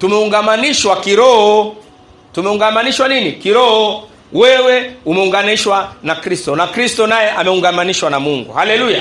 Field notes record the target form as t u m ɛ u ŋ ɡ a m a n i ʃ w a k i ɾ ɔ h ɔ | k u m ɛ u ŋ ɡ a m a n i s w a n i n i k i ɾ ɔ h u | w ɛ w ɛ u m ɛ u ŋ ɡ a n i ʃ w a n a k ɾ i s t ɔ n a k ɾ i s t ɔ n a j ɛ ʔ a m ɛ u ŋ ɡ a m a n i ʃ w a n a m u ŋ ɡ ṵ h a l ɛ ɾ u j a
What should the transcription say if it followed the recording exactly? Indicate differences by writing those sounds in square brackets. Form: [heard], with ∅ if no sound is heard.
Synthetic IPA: t u m ɛ u ŋ ɡ a m a n i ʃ w a k i ɾ ɔ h ɔ | [t] u m ɛ u ŋ ɡ a m a n i [ʃ] w a n i n i k i ɾ ɔ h [ɔ] | w ɛ w ɛ u m ɛ u ŋ ɡ a n i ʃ w a n a k ɾ i s t ɔ n a k ɾ i s t ɔ n a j ɛ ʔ a m ɛ u ŋ ɡ a m a n i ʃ w a n a m u ŋ ɡ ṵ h a l ɛ [l] u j a